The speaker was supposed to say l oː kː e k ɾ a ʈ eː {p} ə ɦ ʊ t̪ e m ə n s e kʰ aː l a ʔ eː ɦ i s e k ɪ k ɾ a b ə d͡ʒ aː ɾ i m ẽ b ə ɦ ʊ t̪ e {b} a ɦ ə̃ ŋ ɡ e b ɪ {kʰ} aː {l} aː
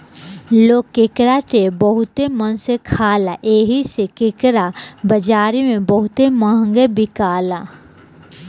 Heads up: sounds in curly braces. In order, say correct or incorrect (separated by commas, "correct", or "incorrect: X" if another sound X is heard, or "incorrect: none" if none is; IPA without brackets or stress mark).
incorrect: b, incorrect: m, incorrect: k, correct